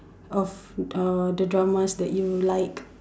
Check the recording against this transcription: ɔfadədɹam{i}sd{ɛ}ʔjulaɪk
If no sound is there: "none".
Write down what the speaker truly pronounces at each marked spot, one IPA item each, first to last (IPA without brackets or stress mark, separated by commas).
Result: a, ɛ